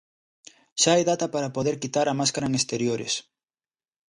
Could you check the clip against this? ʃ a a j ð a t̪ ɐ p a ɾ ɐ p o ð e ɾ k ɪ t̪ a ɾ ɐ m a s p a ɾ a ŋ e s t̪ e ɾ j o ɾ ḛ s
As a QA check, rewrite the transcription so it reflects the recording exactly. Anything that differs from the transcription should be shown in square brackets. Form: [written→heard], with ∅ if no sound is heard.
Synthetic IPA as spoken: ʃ a a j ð a t̪ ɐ p a ɾ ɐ p o ð e ɾ k [ɪ→i] t̪ a ɾ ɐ m a s [p→k] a ɾ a ŋ e s t̪ e ɾ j o ɾ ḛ s